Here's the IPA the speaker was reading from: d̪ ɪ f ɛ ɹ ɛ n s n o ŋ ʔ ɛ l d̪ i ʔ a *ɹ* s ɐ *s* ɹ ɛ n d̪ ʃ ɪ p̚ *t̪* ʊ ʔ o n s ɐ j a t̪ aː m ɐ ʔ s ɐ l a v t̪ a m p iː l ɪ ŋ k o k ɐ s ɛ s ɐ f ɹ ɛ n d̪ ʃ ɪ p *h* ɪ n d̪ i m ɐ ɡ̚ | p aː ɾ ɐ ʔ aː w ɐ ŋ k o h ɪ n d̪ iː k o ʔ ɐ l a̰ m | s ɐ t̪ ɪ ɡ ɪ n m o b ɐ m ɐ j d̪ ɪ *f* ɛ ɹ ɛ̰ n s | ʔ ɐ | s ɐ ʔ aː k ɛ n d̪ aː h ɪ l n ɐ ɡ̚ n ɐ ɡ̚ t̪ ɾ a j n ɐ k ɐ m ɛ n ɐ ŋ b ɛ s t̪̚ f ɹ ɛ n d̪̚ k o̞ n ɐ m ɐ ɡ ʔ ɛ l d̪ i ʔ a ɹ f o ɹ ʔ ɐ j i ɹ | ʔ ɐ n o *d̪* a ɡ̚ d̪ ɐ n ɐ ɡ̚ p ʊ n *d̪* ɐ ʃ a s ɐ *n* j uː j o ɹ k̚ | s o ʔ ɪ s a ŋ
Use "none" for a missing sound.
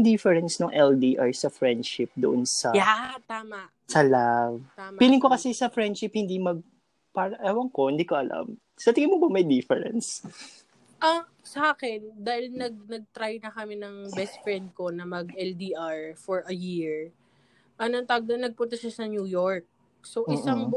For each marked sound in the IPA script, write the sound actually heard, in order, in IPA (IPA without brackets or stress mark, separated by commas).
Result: ɹ, f, d̪, h, f, t̪, t̪, n